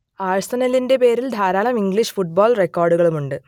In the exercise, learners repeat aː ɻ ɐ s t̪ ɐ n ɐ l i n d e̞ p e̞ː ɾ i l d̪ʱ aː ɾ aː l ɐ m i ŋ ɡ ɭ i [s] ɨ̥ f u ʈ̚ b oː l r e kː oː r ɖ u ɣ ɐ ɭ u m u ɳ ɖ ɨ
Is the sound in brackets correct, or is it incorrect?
incorrect